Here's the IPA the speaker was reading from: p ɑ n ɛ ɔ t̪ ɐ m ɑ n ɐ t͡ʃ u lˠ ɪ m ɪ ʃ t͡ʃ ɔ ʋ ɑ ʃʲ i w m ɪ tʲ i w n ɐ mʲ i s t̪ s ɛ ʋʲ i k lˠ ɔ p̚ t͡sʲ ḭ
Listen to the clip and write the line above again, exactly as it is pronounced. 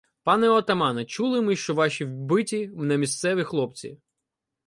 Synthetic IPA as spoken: p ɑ n ɛ ɔ t̪ ɐ m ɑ n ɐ t͡ʃ u lˠ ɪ m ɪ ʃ t͡ʃ ɔ ʋ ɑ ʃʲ i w b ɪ tʲ i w n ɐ mʲ i s t̪ s ɛ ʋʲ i x lˠ ɔ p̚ t͡sʲ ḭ